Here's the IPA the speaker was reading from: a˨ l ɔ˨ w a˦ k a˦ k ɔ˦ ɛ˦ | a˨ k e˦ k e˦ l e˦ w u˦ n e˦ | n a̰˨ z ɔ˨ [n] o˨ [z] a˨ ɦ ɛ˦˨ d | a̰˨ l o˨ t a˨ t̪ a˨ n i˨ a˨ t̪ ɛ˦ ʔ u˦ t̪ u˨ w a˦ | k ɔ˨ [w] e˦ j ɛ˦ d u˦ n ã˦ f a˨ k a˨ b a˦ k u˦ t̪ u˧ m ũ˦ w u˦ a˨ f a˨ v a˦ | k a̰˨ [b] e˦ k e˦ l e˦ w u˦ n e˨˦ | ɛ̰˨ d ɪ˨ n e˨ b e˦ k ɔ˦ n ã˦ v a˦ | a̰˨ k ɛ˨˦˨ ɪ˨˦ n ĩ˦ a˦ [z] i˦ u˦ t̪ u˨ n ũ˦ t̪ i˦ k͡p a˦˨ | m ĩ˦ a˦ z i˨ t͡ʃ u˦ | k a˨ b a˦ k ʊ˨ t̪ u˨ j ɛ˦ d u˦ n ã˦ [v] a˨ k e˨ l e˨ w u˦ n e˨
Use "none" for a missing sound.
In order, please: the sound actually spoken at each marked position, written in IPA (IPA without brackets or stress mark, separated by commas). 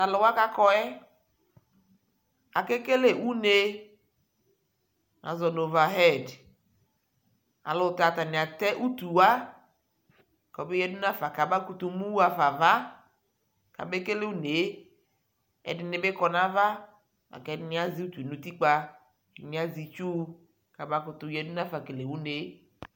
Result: n, v, b, b, z, f